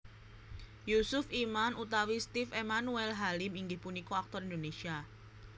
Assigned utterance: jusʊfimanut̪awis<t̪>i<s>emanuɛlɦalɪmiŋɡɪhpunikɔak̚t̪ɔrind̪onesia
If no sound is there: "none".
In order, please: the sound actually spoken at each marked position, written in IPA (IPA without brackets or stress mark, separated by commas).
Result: t̪, f